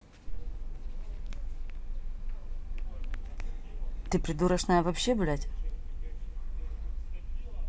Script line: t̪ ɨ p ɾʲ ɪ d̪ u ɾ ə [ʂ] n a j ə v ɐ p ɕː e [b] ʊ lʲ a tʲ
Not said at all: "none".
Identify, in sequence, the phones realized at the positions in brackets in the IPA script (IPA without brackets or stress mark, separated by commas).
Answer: ʂ, b